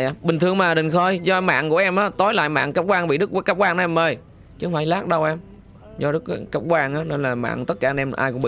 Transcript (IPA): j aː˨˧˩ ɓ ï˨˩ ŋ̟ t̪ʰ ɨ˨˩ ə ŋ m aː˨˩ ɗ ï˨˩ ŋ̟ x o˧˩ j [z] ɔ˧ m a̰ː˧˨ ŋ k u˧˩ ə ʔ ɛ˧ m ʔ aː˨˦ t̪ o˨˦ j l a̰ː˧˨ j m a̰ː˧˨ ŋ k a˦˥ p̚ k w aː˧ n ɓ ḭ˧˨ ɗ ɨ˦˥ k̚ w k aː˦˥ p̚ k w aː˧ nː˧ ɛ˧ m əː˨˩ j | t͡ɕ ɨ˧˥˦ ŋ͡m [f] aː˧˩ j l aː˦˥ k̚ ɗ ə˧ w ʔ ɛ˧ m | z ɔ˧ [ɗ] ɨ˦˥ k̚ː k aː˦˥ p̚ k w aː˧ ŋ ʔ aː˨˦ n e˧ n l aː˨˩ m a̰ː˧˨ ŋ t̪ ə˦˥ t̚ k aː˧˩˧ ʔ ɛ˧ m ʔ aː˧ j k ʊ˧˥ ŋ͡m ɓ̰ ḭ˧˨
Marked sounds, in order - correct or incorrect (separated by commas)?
correct, correct, correct